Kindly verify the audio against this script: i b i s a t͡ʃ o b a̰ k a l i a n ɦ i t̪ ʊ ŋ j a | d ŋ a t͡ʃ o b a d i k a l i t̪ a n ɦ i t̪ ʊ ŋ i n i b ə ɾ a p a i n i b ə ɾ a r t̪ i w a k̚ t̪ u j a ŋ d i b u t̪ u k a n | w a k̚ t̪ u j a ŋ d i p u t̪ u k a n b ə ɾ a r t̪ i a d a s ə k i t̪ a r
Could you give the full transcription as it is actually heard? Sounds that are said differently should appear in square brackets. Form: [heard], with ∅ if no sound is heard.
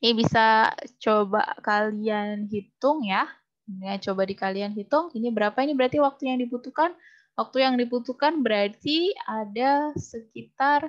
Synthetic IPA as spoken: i b i s a t͡ʃ o b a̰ k a l i a n ɦ i t̪ ʊ ŋ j a | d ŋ a t͡ʃ o b a d i k a l i [∅] a n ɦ i t̪ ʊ ŋ i n i b ə ɾ a p a i n i b ə ɾ a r t̪ i w a k̚ t̪ u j a ŋ d i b u t̪ u k a n | w a k̚ t̪ u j a ŋ d i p u t̪ u k a n b ə ɾ a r t̪ i a d a s ə k i t̪ a r